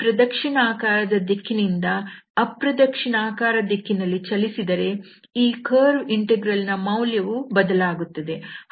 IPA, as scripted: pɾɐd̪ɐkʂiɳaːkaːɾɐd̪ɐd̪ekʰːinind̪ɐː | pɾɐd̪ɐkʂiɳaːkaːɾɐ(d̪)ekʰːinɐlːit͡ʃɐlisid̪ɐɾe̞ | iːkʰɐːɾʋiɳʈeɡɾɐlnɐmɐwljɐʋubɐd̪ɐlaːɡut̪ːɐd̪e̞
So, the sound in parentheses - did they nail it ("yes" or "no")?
yes